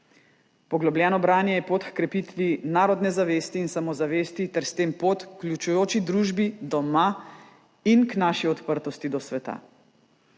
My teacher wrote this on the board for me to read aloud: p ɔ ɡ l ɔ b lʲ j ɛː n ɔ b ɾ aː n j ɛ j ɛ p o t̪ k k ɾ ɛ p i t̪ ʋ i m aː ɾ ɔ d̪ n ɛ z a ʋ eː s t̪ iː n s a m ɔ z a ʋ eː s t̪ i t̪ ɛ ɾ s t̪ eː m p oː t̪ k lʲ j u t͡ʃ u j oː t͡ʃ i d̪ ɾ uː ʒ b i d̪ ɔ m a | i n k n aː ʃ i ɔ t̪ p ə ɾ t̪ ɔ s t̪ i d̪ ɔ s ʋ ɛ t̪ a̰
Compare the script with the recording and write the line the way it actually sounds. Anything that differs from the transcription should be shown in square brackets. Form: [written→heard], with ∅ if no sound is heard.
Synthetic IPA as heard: p ɔ ɡ l ɔ b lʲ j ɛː n ɔ b ɾ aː n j ɛ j ɛ p o t̪ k k ɾ ɛ p i t̪ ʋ i [m→n] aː ɾ ɔ d̪ n ɛ z a ʋ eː s t̪ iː n s a m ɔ z a ʋ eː s t̪ i t̪ ɛ ɾ s t̪ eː m p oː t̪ k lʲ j u t͡ʃ u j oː t͡ʃ i d̪ ɾ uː ʒ b i d̪ ɔ m a | i n k n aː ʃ i ɔ t̪ p ə ɾ t̪ ɔ s t̪ i d̪ ɔ s ʋ ɛ t̪ a̰